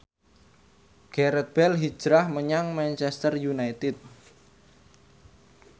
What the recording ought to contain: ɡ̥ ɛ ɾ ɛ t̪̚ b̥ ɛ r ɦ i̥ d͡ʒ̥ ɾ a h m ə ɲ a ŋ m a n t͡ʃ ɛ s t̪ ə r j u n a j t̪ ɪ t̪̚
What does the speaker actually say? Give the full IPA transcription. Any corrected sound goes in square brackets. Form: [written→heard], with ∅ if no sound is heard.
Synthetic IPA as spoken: ɡ̥ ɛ ɾ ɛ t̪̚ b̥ ɛ [r→l] ɦ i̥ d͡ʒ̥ ɾ a h m ə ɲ a ŋ m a n t͡ʃ ɛ s t̪ ə r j u n a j t̪ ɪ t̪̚